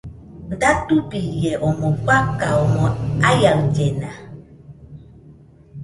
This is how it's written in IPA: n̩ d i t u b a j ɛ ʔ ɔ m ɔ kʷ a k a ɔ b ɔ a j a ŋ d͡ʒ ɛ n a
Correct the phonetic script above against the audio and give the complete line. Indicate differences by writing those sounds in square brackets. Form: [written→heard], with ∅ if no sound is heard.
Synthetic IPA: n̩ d [i→a] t u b [a→i] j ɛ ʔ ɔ m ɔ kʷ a k a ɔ [b→m] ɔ a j a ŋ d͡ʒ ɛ n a